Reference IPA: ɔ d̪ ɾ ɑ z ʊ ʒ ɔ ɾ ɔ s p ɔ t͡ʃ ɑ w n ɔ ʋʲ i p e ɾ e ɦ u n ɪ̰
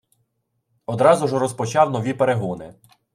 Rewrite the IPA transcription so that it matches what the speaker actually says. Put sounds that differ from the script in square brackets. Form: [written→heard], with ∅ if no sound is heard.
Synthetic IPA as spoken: ɔ d̪ ɾ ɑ z ʊ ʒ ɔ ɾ ɔ s p ɔ t͡ʃ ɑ w n ɔ ʋʲ i p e ɾ e ɦ u n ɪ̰